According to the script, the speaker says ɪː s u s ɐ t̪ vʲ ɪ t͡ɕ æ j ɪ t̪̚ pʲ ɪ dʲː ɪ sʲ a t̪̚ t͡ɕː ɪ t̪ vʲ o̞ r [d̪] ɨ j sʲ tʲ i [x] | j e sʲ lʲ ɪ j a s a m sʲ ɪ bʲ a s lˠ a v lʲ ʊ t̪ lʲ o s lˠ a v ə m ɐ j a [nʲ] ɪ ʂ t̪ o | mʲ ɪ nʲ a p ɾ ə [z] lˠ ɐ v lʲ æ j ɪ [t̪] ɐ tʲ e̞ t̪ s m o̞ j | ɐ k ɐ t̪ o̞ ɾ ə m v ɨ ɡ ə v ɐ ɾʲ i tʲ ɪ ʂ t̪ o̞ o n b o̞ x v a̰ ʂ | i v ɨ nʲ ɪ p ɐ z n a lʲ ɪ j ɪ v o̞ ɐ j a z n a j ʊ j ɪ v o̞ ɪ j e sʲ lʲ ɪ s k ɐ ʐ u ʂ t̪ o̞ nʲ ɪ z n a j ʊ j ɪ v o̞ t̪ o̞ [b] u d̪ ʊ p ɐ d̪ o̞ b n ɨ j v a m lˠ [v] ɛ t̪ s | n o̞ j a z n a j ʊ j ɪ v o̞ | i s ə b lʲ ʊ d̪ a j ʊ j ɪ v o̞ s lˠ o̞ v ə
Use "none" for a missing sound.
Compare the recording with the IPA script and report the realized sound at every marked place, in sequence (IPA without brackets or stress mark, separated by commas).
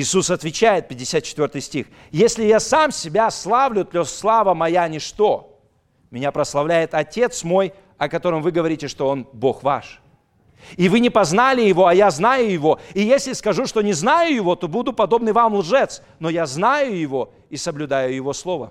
t̪, x, nʲ, s, t̪, b, ʐ